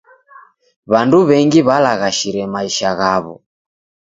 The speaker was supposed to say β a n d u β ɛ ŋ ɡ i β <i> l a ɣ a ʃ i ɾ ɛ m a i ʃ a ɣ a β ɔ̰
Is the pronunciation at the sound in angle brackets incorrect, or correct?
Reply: incorrect: a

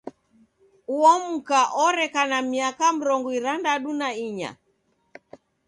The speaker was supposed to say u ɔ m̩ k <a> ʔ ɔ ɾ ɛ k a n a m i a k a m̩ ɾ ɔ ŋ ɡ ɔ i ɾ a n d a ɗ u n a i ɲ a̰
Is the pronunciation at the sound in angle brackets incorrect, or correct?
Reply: correct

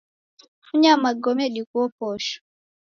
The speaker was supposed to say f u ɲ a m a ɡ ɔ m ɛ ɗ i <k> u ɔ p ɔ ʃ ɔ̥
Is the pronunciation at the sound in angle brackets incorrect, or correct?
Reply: correct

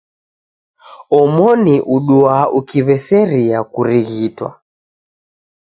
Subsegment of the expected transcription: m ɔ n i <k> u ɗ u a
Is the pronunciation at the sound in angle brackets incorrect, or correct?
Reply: incorrect: ʔ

